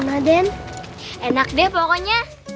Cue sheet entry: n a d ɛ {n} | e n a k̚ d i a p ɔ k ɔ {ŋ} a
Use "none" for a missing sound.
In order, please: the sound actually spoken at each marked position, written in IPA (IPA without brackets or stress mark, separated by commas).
n, ɲ